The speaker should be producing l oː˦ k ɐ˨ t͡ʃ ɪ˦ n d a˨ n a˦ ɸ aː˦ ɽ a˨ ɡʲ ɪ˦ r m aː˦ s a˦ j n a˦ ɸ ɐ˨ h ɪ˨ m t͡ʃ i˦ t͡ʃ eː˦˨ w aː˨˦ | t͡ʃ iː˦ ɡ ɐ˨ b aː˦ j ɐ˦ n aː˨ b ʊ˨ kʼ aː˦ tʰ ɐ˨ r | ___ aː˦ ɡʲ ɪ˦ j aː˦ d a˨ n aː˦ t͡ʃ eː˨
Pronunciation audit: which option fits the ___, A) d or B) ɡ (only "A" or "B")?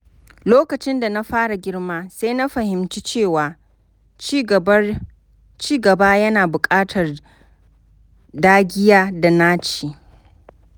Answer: A